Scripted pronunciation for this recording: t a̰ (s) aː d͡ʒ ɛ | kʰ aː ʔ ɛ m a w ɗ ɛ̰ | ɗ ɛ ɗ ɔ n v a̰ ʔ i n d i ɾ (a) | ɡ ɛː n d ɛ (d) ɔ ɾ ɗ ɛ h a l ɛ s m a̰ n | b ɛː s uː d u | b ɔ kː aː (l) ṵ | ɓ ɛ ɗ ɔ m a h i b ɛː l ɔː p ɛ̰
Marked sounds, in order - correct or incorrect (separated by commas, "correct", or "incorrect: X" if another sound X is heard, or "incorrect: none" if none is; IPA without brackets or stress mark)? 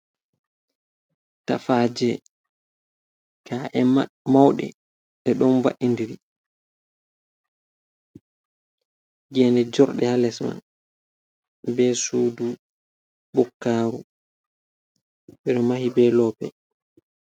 incorrect: f, incorrect: i, incorrect: d͡ʒ, incorrect: ɾ